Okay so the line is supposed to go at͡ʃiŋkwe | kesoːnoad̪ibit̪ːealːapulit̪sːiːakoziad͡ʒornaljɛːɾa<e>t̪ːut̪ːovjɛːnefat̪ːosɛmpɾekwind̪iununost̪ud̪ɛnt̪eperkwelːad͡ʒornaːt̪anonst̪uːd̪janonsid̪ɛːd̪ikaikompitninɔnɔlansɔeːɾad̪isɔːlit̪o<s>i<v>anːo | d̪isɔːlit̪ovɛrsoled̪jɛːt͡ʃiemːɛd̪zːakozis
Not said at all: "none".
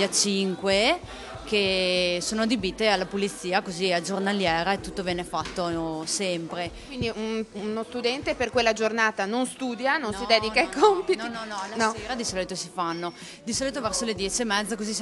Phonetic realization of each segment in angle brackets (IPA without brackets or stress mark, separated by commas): e, s, f